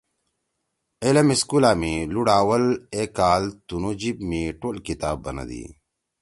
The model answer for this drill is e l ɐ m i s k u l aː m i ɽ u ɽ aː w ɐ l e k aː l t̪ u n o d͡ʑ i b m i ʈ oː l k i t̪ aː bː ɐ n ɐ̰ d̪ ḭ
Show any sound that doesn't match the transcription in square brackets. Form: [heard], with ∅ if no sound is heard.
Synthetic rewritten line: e l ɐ m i s k u l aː m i [l] u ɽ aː w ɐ l e k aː l t̪ u n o d͡ʑ i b m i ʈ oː l k i t̪ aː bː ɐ n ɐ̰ d̪ ḭ